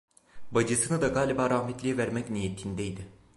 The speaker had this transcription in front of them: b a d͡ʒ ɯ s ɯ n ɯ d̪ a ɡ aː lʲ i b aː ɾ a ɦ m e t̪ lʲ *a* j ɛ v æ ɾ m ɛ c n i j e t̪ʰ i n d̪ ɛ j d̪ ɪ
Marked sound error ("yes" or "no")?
yes